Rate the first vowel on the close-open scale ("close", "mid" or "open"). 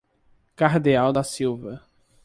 open